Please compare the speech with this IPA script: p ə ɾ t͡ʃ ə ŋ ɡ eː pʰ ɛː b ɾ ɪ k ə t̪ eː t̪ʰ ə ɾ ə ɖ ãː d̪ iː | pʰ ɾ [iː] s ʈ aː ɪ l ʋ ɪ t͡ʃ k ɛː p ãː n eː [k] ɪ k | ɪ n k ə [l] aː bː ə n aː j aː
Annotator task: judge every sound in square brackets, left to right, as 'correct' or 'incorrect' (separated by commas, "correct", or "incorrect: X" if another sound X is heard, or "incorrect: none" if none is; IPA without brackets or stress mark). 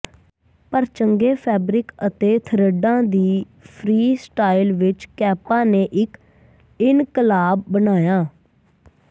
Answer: correct, incorrect: ʔ, correct